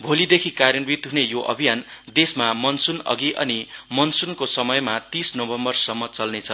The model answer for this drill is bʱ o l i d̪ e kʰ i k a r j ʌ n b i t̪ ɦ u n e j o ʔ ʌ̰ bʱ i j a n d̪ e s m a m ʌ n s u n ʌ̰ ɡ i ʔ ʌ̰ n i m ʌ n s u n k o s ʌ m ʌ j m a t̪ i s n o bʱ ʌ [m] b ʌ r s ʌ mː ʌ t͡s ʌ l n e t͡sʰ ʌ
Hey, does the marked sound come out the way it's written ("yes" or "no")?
yes